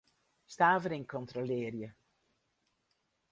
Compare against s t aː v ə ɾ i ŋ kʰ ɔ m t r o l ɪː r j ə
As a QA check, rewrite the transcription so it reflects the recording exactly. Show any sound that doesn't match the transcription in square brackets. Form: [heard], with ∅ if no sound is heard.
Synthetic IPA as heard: s t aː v ə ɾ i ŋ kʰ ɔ [n] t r o l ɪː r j ə